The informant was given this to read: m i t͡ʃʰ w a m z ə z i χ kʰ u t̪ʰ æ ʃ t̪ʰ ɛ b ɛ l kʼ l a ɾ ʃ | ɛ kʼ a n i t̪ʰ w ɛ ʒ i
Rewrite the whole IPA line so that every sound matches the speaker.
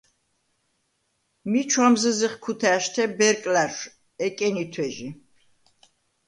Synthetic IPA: m i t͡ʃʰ w a m z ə z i χ kʰ u t̪ʰ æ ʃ t̪ʰ ɛ b ɛ ɾ kʼ l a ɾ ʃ | ɛ kʼ ɛ n i t̪ʰ w ɛ ʒ i